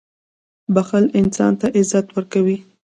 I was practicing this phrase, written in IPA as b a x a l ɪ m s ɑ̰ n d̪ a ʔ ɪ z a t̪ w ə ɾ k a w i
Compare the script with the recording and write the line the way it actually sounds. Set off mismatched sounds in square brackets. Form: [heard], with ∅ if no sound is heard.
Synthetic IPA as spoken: b a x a l ɪ [n] s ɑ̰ n [t̪] a ʔ ɪ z a t̪ w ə ɾ k a w i